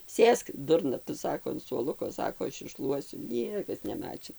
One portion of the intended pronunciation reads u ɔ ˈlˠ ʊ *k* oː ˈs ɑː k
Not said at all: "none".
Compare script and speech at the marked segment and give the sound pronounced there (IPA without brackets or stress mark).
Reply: k